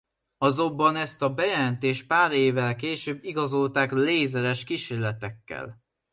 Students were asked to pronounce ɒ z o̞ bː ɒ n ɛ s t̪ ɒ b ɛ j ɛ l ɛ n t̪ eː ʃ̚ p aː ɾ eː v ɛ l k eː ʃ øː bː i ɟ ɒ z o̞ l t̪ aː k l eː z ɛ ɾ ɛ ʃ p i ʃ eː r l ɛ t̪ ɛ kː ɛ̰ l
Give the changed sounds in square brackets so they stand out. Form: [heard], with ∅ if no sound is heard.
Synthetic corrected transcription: ɒ z o̞ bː ɒ n ɛ s t̪ ɒ b ɛ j ɛ l ɛ n t̪ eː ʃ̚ p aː ɾ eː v ɛ l k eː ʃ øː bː i [ɡ] ɒ z o̞ l t̪ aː k l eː z ɛ ɾ ɛ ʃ [k] i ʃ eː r l ɛ t̪ ɛ kː ɛ̰ l

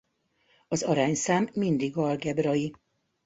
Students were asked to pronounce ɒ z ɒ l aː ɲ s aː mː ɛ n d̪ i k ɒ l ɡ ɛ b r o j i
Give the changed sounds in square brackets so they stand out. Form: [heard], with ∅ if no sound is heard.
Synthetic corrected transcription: ɒ z ɒ [ɾ] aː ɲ s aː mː [i] n d̪ i [ɡ] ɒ l ɡ ɛ b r [ɒ] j i

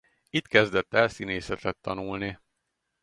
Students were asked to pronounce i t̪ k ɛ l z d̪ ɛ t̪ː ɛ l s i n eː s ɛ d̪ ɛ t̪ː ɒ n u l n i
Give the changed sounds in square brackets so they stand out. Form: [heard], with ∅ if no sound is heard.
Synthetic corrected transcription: i t̪ k ɛ [∅] z d̪ ɛ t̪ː ɛ l s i n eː s ɛ [t̪] ɛ t̪ː ɒ n u l n i

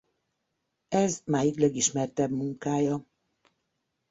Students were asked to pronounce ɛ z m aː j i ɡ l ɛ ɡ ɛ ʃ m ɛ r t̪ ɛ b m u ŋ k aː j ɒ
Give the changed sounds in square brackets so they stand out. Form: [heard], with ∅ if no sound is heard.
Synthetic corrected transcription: ɛ z m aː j i [k] l ɛ ɡ [i] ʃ m ɛ r t̪ ɛ b m u ŋ k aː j ɒ

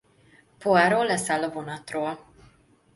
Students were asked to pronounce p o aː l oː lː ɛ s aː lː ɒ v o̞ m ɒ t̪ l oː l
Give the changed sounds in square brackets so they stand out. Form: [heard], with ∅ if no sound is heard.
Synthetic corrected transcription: p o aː [ɾ] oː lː ɛ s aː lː ɒ v o̞ [n] ɒ t̪ [r] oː l

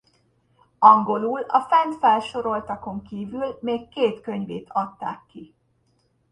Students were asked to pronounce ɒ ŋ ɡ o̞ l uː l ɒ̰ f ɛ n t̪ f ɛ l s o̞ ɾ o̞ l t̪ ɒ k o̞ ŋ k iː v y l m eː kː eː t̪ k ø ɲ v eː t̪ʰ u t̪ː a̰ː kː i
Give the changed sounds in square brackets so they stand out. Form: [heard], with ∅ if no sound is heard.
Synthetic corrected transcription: ɒ ŋ ɡ o̞ l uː l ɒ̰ f ɛ n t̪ f ɛ l [ʃ] o̞ ɾ o̞ l t̪ ɒ k o̞ ŋ k iː v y l m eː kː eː t̪ k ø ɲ v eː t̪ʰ [ɒ] t̪ː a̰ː kː i

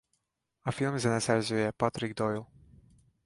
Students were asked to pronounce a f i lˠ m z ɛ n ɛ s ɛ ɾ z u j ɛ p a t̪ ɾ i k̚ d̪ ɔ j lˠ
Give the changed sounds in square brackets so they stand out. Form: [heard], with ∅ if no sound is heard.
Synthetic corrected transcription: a f i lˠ m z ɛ n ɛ s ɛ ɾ z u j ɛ p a t̪ ɾ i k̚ d̪ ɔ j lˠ

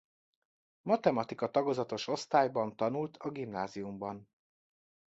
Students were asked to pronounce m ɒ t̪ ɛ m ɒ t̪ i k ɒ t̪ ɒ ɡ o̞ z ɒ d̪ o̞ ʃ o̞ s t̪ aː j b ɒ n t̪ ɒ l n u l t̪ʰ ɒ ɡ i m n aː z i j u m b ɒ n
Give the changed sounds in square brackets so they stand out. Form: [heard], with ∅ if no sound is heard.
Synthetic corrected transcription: m ɒ t̪ ɛ m ɒ t̪ i k ɒ t̪ ɒ ɡ o̞ z ɒ [t̪] o̞ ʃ o̞ s t̪ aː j b ɒ n t̪ ɒ [∅] n u l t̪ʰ ɒ ɡ i m n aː z i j u m b ɒ n

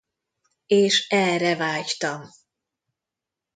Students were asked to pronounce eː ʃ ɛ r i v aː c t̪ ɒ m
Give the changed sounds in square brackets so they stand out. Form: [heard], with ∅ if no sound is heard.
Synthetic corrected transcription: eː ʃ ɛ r [ɛ] v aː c t̪ ɒ m

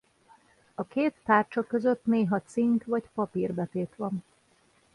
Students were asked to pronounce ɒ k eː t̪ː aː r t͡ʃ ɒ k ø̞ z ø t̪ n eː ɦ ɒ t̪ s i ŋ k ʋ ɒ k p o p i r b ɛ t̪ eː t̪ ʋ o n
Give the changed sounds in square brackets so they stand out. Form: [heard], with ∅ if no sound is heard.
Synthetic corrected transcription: ɒ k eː t̪ː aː r t͡ʃ ɒ k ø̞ z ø t̪ n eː ɦ ɒ t̪ s i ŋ k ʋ ɒ [c] p [ɒ] p i r b ɛ t̪ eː t̪ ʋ [ɒ] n

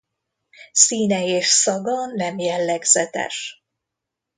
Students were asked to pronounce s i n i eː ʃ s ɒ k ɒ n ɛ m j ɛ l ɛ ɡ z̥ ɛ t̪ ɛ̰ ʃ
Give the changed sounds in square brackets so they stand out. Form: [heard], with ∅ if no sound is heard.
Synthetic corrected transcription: s [iː] n [ɛ] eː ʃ s ɒ [ɡ] ɒ n ɛ m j ɛ [lː] ɛ ɡ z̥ ɛ t̪ ɛ̰ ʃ

